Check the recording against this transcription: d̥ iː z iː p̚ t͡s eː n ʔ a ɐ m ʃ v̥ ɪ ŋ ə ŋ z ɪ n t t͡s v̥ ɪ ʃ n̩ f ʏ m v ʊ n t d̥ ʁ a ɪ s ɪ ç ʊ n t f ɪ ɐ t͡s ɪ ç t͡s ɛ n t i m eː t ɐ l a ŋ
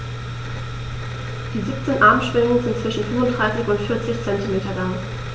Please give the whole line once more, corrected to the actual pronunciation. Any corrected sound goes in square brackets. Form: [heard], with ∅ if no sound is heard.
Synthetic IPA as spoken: d̥ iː z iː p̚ t͡s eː n ʔ a ɐ m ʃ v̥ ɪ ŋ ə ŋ z ɪ n t t͡s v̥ ɪ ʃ n̩ f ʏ m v ʊ n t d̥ ʁ a ɪ s ɪ ç ʊ n t f ɪ ɐ t͡s ɪ ç t͡s ɛ n t i m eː t ɐ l a ŋ

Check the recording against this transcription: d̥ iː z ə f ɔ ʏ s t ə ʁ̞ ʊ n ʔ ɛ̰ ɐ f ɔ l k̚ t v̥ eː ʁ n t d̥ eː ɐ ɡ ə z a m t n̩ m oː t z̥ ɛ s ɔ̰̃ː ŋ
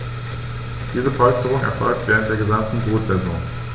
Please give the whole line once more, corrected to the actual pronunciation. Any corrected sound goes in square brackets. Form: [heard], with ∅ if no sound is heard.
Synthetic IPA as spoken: d̥ iː z ə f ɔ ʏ s t ə ʁ̞ ʊ [ŋ] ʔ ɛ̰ ɐ f ɔ l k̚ t v̥ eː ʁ n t d̥ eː ɐ ɡ ə z a m t n̩ [b] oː t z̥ ɛ [z] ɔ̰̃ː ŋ

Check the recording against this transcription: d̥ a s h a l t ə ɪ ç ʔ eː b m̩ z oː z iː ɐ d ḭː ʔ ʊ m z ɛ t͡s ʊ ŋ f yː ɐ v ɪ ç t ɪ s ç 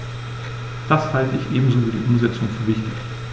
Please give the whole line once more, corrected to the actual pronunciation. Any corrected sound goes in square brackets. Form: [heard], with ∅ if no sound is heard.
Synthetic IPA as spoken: d̥ a s h a l t ə ɪ ç ʔ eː b m̩ z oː [v] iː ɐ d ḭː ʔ ʊ m z ɛ t͡s ʊ ŋ f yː ɐ v ɪ ç t ɪ [∅] ç

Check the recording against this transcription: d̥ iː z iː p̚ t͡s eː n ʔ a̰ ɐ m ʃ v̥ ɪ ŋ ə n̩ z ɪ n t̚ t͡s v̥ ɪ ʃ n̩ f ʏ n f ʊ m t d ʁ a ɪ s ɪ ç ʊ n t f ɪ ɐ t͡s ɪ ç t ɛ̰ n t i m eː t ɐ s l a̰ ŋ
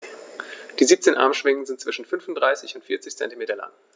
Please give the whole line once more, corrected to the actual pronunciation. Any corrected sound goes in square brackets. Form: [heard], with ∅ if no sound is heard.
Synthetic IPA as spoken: d̥ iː z iː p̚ t͡s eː n ʔ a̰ ɐ m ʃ v̥ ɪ ŋ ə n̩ z ɪ n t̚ t͡s v̥ ɪ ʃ n̩ f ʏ n f ʊ [n] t d ʁ a ɪ s ɪ ç ʊ n t f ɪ ɐ t͡s ɪ ç [t͡s] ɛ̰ n t i m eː t ɐ [∅] l a̰ ŋ

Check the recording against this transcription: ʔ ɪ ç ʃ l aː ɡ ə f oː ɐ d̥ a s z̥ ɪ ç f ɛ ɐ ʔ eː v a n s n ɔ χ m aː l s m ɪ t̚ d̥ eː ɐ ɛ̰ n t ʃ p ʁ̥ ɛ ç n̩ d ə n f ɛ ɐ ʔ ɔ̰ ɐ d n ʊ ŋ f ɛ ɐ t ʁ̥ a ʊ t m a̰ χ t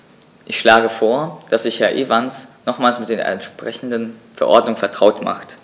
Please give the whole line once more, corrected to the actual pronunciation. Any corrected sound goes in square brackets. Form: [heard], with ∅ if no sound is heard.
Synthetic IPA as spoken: ʔ ɪ ç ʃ l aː ɡ ə f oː ɐ d̥ a s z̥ ɪ ç [h] ɛ ɐ ʔ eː v a n s n ɔ χ m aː l s m ɪ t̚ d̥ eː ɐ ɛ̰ n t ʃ p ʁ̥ ɛ ç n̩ d ə n f ɛ ɐ ʔ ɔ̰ ɐ d n ʊ ŋ f ɛ ɐ t ʁ̥ a ʊ t m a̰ χ t

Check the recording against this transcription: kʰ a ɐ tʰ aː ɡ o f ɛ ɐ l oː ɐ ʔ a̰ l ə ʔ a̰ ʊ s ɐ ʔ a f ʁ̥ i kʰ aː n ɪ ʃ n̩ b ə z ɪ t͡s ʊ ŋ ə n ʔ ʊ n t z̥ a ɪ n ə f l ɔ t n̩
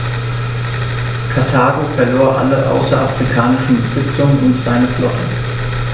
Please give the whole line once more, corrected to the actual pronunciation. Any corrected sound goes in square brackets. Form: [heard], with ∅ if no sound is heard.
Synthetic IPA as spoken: kʰ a ɐ tʰ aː ɡ o f ɛ ɐ l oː ɐ ʔ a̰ l ə ʔ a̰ ʊ s ɐ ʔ a f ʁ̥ i kʰ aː n ɪ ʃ n̩ b ə z ɪ t͡s ʊ ŋ ə n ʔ ʊ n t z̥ a ɪ n ə f l ɔ t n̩

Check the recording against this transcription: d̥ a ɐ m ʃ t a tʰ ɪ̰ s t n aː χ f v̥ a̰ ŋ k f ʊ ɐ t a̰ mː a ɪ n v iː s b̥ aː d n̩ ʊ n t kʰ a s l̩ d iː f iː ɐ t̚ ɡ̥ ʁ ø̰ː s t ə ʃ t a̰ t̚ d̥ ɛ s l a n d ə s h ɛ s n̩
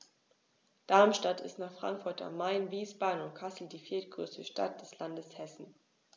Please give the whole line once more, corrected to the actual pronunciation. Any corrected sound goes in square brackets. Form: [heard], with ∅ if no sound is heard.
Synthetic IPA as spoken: d̥ a ɐ m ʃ t a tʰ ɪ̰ s t n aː χ f [ʁ̥] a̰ ŋ k f ʊ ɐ t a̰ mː a ɪ n v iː s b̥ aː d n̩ ʊ n t kʰ a s l̩ d iː f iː ɐ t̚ ɡ̥ ʁ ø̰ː s t ə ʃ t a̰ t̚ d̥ ɛ s l a n d ə s h ɛ s n̩

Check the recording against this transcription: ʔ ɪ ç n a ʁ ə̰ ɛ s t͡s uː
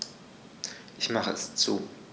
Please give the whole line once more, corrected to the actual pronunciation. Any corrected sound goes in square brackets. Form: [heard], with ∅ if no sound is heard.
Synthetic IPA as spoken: ʔ ɪ ç [m] a [χ] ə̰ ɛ s t͡s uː

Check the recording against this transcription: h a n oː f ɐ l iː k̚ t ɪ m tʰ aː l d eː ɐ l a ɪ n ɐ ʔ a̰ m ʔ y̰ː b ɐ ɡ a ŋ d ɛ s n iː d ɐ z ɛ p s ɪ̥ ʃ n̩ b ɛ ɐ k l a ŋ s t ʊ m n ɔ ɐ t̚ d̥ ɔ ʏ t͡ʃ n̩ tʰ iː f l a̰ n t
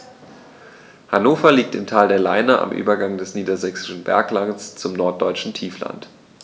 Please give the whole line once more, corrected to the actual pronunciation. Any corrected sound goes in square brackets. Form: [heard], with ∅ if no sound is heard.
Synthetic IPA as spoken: h a n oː f ɐ l iː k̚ t ɪ m tʰ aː l d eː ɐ l a ɪ n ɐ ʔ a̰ m ʔ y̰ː b ɐ ɡ a ŋ d ɛ s n iː d ɐ z ɛ [k] s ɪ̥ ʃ n̩ b ɛ ɐ k l a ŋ s [t͡s] ʊ m n ɔ ɐ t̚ d̥ ɔ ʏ t͡ʃ n̩ tʰ iː f l a̰ n t

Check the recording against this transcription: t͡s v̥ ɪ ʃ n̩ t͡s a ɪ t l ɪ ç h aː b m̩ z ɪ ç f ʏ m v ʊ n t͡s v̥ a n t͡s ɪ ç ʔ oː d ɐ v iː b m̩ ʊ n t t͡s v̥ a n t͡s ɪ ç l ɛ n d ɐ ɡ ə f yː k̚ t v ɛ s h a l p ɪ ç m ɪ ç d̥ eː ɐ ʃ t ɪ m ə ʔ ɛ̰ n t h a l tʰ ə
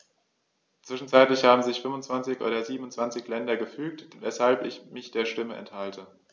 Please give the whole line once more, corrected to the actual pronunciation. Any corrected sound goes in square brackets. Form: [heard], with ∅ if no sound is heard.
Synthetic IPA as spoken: t͡s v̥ ɪ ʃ n̩ t͡s a ɪ t l ɪ ç h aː b m̩ z ɪ ç f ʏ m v ʊ n t͡s v̥ a n t͡s ɪ ç ʔ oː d ɐ [z] iː b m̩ ʊ n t t͡s v̥ a n t͡s ɪ ç l ɛ n d ɐ ɡ ə f yː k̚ t v ɛ s h a l p ɪ ç m ɪ ç d̥ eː ɐ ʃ t ɪ m ə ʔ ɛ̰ n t h a l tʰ ə

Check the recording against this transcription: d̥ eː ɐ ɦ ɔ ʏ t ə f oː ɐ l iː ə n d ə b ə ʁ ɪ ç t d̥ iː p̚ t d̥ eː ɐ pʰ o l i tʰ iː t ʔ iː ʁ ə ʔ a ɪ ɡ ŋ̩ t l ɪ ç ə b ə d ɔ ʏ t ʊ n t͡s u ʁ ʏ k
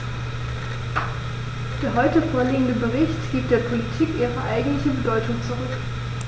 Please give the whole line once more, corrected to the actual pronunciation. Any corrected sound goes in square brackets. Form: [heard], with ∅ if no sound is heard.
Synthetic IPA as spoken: d̥ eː ɐ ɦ ɔ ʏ t ə f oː ɐ l iː ə n d ə b ə ʁ ɪ ç t [ɡ̥] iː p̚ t d̥ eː ɐ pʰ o l i tʰ iː [k] ʔ iː ʁ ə ʔ a ɪ ɡ ŋ̩ t l ɪ ç ə b ə d ɔ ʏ t ʊ [ŋ] t͡s u ʁ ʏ k

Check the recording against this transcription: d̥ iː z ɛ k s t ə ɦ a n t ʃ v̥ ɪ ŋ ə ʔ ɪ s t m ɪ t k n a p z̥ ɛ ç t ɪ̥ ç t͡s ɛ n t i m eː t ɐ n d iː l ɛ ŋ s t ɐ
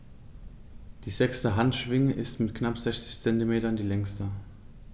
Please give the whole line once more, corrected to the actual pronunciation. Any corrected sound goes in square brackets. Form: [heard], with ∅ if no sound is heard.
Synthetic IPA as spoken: d̥ iː z ɛ k s t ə ɦ a n t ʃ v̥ ɪ ŋ ə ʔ ɪ s t m ɪ t k n a p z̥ ɛ ç [t͡s] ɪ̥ ç t͡s ɛ n t i m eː t ɐ n d iː l ɛ ŋ s t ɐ

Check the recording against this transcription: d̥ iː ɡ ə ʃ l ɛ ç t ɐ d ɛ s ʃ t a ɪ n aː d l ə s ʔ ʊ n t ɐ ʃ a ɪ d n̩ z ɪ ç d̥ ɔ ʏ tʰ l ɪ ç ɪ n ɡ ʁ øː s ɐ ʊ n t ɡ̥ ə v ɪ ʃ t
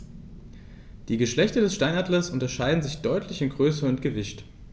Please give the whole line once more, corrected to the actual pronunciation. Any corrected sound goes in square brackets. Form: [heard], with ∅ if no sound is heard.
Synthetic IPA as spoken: d̥ iː ɡ ə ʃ l ɛ ç t ɐ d ɛ s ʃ t a ɪ n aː d l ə s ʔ ʊ n t ɐ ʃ a ɪ d n̩ z ɪ ç d̥ ɔ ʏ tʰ l ɪ ç ɪ n ɡ ʁ øː s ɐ ʊ n t ɡ̥ ə v ɪ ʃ t

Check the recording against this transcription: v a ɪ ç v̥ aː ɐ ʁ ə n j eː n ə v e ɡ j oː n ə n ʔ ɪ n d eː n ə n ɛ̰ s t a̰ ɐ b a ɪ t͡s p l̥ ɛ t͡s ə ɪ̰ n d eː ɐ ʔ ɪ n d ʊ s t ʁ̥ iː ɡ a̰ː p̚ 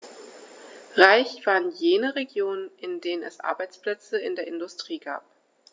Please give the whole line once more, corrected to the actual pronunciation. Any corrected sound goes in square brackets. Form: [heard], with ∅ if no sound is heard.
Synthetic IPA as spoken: [ʁ] a ɪ ç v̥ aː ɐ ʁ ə n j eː n ə [ʁ] e ɡ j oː n ə n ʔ ɪ n d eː n ə n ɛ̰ s [ʔ] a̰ ɐ b a ɪ t͡s p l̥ ɛ t͡s ə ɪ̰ n d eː ɐ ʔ ɪ n d ʊ s t ʁ̥ iː ɡ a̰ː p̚

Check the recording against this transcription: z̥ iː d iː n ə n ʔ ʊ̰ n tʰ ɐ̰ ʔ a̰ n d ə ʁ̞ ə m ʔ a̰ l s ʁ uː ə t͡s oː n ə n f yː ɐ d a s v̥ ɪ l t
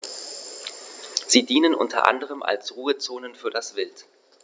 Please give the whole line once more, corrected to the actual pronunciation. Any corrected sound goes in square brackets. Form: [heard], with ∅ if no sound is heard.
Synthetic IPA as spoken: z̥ iː d iː n ə n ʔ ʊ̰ n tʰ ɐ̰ ʔ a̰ n d ə ʁ̞ ə m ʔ a̰ l s ʁ uː ə t͡s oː n ə n f yː ɐ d a s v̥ ɪ l t

